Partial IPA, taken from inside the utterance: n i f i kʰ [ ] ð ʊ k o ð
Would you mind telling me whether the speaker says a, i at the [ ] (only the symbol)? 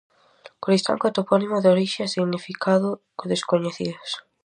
a